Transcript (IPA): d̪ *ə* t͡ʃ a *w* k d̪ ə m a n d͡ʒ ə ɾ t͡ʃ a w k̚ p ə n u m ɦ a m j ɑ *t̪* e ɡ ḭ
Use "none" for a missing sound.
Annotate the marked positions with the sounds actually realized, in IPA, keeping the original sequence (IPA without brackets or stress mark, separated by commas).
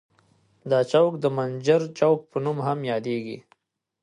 ɑ, w, d̪